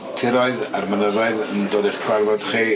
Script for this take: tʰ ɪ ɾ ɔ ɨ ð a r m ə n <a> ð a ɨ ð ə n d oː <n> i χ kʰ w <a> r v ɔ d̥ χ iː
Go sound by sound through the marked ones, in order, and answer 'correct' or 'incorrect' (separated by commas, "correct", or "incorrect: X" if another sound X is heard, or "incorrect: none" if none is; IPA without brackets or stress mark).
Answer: incorrect: ə, incorrect: d, correct